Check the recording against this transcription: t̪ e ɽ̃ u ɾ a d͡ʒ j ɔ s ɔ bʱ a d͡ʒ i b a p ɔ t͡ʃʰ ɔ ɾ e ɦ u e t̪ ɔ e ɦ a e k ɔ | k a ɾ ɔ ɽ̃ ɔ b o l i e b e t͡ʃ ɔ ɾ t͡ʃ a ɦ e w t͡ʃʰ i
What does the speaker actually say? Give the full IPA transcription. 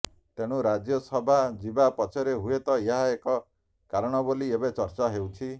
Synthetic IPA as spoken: t̪ e ɽ̃ u ɾ a d͡ʒ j ɔ s ɔ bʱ a d͡ʒ i b a p ɔ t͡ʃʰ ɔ ɾ e ɦ u e t̪ ɔ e ɦ a e k ɔ | k a ɾ ɔ ɽ̃ ɔ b o l i e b e t͡ʃ ɔ ɾ t͡ʃ a ɦ e w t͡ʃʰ i